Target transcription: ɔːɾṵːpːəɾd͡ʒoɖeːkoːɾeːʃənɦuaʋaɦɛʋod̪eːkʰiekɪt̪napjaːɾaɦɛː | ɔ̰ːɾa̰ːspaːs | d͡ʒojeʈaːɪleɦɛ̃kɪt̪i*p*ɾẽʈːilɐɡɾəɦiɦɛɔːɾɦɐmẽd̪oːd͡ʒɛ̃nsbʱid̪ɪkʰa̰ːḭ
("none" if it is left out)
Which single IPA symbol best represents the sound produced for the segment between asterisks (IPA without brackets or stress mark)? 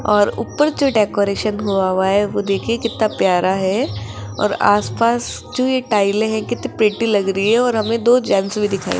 p